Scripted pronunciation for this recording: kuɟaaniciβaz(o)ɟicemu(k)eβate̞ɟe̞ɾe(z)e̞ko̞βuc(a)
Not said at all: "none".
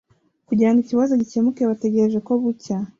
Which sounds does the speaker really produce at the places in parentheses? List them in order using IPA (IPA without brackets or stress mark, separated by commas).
o, k, ʒ, a